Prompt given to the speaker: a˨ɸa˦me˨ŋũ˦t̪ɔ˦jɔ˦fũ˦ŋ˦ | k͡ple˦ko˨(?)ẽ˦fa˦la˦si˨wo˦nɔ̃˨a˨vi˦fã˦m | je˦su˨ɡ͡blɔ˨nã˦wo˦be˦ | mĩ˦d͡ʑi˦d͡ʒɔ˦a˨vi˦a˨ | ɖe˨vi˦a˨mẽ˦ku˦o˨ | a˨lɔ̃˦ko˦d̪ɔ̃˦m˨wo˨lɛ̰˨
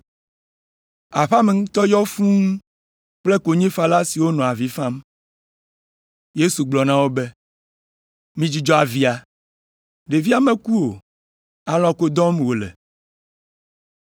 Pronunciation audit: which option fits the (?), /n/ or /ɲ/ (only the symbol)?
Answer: ɲ